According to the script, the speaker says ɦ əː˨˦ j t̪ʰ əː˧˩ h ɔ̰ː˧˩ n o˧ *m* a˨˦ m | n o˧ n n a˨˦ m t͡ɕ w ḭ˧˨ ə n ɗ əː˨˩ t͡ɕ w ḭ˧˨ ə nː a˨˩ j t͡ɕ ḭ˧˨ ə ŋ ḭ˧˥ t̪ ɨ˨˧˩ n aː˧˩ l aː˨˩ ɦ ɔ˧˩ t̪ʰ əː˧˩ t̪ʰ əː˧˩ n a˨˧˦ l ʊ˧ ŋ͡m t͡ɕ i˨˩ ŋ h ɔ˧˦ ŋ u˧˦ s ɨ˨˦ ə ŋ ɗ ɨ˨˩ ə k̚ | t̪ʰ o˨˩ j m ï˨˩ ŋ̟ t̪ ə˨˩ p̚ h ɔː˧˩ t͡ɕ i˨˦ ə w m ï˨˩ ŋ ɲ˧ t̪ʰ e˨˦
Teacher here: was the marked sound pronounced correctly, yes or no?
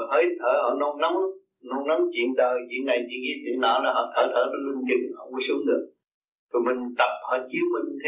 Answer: no